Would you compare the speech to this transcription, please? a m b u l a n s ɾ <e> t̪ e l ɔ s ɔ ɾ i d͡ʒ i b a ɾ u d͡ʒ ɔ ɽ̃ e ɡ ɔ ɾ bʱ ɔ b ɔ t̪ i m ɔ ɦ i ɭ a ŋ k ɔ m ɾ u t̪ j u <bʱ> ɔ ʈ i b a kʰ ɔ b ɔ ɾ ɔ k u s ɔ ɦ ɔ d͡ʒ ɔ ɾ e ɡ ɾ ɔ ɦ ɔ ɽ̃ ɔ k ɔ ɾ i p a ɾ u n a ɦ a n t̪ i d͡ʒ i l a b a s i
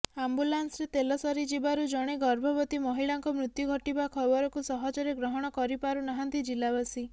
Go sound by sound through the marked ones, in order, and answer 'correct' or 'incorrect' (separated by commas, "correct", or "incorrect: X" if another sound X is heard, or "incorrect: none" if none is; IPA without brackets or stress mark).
correct, incorrect: ɡʱ